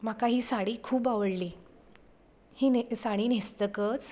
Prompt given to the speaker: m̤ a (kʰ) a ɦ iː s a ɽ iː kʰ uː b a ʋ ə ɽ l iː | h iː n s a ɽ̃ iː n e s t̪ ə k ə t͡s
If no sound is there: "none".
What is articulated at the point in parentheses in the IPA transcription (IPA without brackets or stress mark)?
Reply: k